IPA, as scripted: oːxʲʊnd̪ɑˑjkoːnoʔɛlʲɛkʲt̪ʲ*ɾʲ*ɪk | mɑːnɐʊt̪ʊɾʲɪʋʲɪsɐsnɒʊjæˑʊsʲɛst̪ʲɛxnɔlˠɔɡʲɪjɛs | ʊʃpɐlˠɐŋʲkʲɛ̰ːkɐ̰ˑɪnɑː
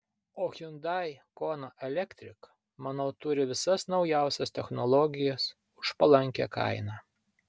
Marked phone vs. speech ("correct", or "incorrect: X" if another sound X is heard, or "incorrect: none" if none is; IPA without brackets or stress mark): correct